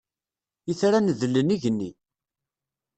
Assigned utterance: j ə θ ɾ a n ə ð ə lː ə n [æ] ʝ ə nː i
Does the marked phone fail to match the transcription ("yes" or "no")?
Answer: yes